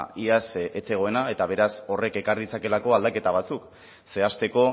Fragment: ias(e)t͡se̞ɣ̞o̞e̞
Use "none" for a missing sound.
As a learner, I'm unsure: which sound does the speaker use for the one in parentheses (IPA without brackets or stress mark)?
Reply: e